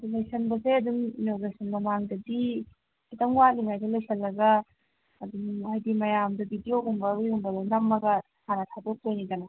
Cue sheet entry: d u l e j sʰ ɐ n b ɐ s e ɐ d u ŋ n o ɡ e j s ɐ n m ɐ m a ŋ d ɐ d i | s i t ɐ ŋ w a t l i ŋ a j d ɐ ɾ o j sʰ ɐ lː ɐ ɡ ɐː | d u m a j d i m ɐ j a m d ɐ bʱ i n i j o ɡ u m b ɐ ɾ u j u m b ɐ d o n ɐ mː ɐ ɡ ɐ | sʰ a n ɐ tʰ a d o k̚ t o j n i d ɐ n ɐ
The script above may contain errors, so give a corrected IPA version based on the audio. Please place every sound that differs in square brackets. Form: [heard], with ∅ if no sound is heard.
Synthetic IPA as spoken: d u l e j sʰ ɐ n b ɐ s e ɐ d u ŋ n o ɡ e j s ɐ n m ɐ m a ŋ d ɐ d i | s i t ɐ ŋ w a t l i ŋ a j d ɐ [l] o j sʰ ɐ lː ɐ ɡ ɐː | d u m a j d i m ɐ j a m d ɐ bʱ i [d] i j o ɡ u m b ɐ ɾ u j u m b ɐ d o n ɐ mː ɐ ɡ ɐ | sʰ a n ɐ tʰ a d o k̚ t o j n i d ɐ n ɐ